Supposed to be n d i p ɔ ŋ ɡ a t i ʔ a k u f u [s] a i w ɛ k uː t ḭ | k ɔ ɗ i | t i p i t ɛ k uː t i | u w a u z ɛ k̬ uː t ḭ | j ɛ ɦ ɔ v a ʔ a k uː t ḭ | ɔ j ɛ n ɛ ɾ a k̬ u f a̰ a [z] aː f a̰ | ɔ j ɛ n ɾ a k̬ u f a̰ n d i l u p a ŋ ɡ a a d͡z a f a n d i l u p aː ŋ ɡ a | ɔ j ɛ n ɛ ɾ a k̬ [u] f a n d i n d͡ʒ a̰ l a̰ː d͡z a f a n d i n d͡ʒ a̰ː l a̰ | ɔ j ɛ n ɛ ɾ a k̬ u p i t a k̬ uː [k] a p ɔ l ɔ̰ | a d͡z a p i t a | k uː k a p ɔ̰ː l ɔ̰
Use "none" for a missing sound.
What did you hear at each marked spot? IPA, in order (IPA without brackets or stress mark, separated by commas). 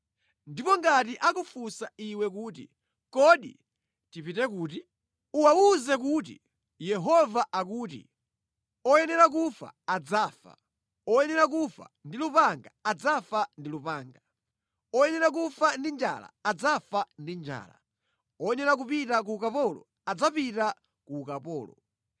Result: s, d͡z, u, k